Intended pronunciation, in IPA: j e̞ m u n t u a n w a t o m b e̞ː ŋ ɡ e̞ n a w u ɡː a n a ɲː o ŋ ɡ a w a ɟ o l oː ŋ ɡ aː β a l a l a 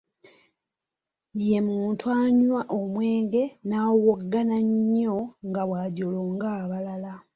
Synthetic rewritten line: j e̞ m uː n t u a ɲ w a ʔ o m w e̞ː ŋ ɡ e̞ n a w o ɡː a n a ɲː o ŋ ɡ a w a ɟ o l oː ŋ ɡ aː β a l a l a